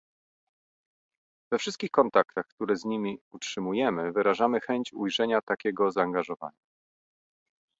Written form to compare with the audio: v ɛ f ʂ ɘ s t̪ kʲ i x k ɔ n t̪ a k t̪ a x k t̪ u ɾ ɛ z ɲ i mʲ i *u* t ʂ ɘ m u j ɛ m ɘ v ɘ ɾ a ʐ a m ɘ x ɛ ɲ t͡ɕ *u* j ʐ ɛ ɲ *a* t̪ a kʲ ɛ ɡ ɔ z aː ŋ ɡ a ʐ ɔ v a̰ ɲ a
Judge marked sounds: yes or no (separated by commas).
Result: yes, yes, yes